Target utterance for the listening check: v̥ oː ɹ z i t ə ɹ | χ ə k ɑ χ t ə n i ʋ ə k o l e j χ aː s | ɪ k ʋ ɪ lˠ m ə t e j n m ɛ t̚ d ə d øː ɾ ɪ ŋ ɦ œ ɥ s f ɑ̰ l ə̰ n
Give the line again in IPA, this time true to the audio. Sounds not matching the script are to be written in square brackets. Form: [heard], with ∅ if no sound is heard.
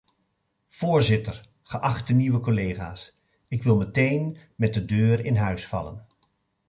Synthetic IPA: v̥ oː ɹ z [ɪ] t ə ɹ | χ ə [ʔ] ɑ χ t ə n i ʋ ə k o l e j χ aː s | ɪ k ʋ ɪ lˠ m ə t e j n m ɛ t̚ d ə d øː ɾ ɪ [n] ɦ œ ɥ s f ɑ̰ l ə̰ n